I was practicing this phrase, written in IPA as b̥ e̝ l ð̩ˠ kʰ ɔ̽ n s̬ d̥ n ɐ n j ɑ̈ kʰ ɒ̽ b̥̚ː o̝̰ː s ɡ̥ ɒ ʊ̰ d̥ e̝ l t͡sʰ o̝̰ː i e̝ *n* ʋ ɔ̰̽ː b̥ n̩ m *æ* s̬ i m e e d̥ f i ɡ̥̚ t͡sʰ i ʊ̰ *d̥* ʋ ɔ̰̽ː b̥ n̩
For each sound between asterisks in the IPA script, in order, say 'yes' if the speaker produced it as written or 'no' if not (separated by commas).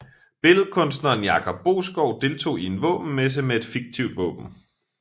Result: yes, no, yes